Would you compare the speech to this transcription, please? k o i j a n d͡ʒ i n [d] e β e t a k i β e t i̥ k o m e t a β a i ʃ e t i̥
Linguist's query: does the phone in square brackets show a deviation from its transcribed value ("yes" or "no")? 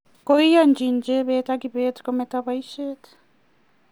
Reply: yes